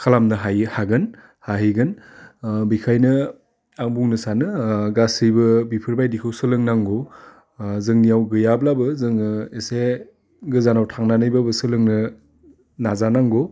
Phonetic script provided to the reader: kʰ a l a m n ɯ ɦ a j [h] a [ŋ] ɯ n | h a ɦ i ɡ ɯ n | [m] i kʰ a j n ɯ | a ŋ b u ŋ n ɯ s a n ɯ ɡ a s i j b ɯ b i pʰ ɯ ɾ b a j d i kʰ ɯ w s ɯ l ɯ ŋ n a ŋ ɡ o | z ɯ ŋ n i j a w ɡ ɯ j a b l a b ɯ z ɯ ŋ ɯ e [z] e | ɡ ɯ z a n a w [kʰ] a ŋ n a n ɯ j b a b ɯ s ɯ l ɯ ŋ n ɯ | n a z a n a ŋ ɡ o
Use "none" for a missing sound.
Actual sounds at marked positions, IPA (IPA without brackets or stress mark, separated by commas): h, ɡ, b, s, tʰ